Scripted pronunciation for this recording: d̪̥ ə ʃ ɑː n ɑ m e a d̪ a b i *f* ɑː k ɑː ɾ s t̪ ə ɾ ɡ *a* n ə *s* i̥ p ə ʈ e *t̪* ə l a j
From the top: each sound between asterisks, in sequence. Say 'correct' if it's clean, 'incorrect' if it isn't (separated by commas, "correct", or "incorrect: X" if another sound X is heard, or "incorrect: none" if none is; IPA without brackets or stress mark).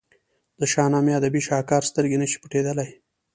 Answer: incorrect: ʃ, incorrect: e, incorrect: ʃ, incorrect: d̪